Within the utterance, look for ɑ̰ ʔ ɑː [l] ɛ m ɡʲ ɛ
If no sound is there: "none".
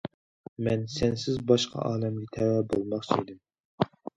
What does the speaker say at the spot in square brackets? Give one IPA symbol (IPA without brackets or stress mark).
l